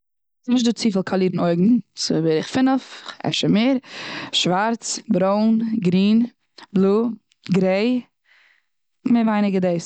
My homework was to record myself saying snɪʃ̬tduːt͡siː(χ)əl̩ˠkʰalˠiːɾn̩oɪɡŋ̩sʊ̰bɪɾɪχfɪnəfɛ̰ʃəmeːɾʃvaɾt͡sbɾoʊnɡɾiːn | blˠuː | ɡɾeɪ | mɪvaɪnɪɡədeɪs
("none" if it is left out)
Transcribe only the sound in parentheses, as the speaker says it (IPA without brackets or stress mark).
f